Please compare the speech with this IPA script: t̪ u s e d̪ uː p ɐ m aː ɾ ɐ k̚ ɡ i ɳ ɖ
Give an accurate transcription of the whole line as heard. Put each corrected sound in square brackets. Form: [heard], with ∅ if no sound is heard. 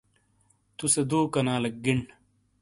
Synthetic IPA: t̪ u s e d̪ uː [k] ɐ [n] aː [l] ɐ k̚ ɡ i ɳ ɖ

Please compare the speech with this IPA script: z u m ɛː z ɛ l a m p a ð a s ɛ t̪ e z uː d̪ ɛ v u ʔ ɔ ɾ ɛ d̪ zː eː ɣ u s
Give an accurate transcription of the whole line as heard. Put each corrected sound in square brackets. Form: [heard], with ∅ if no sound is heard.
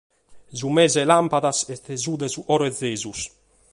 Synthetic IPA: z u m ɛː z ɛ l a m p a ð a s ɛ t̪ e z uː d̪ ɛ [z] u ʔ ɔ ɾ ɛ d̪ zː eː [z] u s

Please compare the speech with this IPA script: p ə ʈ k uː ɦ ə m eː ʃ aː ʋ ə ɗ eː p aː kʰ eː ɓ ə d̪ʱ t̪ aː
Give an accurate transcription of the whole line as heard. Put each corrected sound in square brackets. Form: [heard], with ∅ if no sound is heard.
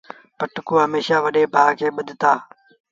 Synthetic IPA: p ə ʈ k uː ɦ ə m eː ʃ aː ʋ ə ɗ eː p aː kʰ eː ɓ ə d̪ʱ t̪ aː

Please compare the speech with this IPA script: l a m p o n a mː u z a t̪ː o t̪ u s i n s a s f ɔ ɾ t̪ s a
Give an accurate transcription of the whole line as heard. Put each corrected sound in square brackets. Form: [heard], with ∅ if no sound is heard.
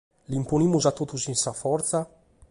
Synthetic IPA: l [i] m p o n [i] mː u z a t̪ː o t̪ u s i n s a [∅] f ɔ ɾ t̪ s a

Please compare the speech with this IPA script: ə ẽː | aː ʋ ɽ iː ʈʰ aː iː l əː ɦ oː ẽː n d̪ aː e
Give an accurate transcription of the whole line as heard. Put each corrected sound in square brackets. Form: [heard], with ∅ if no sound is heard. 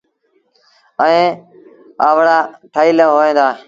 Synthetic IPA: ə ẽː | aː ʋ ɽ [aː] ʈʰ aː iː l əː ɦ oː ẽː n d̪ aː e

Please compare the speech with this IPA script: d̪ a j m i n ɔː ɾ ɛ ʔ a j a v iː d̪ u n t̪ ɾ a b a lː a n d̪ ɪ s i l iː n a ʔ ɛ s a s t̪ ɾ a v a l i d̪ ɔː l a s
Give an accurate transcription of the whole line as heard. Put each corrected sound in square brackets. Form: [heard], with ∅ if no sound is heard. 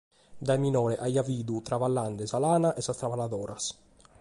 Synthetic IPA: d̪ a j m i n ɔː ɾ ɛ ʔ a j a v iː d̪ u [∅] t̪ ɾ a [v] a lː a n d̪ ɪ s [a] l [aː] n a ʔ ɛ s a s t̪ ɾ a v a l [a] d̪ ɔː [ɾ] a s

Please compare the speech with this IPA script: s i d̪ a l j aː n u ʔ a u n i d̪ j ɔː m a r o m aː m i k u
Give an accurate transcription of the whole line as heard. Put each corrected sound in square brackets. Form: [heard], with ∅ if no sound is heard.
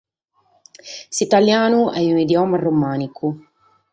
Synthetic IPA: s i [t̪] a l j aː n u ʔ [ɛ] u n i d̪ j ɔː m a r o m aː [n] i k u

